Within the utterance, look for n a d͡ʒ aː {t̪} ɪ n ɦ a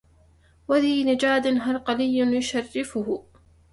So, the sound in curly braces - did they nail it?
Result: no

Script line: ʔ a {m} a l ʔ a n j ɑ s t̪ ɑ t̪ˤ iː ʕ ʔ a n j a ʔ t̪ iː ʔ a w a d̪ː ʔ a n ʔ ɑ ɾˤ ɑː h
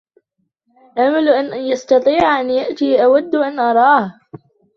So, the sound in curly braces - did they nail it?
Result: yes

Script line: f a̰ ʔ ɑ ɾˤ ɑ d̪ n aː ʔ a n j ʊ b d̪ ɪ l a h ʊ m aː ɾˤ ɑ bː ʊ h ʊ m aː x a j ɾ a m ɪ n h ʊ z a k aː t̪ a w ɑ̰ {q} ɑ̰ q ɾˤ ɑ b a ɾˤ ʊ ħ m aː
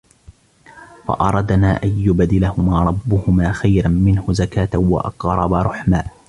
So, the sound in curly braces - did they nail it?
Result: no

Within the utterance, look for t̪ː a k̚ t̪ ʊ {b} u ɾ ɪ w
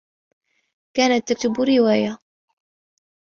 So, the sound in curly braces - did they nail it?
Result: yes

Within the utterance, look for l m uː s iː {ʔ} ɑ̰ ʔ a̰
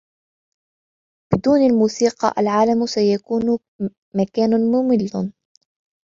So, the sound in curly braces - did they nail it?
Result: no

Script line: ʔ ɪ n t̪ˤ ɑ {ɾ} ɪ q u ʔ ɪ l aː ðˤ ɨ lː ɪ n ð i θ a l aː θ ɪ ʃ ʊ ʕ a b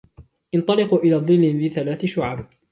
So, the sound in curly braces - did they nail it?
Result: no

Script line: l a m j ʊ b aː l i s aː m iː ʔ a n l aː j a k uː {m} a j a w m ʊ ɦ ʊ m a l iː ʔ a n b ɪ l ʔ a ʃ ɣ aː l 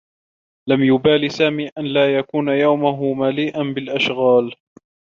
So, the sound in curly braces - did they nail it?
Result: no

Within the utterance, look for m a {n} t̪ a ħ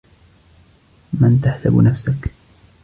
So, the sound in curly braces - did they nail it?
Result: yes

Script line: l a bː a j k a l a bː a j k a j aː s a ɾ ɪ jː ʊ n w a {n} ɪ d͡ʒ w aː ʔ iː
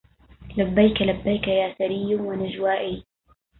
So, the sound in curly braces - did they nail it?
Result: yes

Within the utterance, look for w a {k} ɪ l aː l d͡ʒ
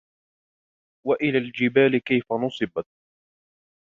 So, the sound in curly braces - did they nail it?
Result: no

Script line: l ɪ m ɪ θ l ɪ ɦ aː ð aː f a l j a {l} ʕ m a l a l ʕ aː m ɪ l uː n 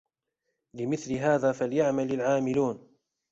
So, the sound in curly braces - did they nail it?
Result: no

